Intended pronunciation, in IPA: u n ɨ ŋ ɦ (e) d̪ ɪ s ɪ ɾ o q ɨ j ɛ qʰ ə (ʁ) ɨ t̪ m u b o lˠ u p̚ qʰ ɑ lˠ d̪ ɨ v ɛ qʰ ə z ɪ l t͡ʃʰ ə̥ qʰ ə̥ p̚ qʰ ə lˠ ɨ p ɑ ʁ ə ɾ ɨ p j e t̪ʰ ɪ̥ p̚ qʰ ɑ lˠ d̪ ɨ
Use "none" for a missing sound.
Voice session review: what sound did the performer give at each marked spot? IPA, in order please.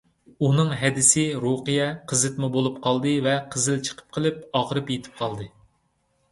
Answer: ɛ, z

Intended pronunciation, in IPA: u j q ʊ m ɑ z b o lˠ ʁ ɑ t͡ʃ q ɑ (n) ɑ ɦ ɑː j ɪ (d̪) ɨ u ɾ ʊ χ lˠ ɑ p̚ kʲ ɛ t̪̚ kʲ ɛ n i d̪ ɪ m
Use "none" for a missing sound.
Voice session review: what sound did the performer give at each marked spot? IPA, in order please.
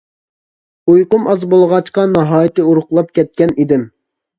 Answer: n, t̪

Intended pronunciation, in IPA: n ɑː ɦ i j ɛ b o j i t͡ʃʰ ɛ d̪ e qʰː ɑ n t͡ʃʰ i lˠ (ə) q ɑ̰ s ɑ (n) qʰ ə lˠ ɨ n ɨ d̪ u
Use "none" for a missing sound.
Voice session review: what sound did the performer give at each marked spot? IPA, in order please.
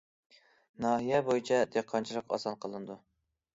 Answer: ə, n

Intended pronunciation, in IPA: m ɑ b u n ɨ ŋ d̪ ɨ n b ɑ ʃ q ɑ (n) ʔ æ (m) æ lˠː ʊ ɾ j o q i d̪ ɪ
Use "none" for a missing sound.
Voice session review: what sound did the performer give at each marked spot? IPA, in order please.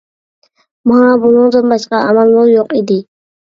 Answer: none, m

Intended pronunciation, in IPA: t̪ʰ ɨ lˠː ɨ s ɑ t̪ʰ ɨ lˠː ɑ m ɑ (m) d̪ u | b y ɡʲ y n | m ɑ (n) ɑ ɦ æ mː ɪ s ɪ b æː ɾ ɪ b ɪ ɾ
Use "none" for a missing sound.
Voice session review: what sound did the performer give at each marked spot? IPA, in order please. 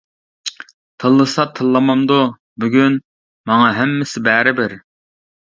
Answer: m, ŋ

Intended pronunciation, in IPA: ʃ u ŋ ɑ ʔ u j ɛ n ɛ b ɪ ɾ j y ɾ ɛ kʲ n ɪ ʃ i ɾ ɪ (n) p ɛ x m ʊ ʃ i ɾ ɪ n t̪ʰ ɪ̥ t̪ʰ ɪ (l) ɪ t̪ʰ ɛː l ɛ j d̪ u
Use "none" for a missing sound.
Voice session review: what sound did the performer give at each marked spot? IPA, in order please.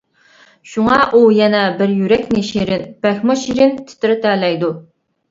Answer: n, ɾ

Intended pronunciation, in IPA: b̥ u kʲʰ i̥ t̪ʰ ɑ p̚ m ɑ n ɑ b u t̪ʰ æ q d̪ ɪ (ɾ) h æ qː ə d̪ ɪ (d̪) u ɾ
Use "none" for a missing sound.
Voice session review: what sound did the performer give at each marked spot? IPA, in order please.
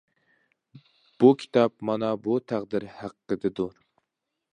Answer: ɾ, d̪

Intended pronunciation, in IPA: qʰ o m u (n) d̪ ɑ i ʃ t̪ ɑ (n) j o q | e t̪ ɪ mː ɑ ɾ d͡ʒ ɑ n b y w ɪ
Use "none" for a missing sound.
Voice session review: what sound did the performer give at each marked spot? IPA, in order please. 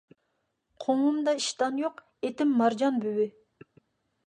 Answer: m, n

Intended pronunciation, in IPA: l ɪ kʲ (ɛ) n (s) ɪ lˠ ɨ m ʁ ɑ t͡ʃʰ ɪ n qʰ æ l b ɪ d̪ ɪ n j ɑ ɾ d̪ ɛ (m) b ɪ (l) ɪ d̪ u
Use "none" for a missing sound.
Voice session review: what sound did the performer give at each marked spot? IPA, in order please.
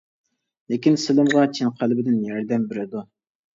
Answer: i, s, m, ɾ

